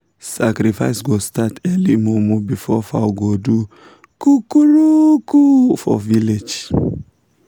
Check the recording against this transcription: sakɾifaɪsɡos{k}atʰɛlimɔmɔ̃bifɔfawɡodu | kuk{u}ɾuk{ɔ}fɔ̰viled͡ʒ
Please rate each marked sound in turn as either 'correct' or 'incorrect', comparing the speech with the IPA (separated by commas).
incorrect, correct, incorrect